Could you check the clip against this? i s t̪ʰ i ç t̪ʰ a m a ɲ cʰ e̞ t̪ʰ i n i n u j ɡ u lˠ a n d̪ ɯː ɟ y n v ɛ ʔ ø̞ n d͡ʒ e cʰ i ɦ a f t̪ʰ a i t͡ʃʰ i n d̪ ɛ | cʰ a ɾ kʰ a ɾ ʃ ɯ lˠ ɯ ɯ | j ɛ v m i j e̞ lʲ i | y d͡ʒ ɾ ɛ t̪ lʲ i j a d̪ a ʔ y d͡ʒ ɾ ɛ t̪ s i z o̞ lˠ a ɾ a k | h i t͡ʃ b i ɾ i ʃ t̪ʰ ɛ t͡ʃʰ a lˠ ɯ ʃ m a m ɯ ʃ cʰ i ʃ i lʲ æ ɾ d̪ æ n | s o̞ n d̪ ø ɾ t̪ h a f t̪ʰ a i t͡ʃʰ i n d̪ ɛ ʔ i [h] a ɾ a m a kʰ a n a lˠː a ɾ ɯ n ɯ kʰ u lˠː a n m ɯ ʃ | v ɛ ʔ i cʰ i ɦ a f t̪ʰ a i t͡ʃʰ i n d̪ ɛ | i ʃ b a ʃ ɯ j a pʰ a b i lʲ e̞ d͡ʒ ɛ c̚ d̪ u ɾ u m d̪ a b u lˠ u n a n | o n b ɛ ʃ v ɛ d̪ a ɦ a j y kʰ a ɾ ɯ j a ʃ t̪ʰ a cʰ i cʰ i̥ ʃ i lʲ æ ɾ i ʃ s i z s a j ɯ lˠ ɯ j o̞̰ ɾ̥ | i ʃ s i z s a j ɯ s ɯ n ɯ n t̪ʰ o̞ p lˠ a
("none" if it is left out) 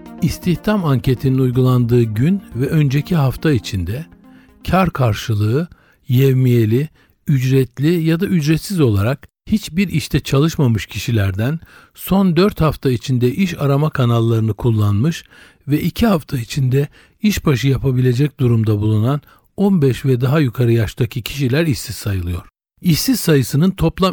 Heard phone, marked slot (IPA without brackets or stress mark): ʃ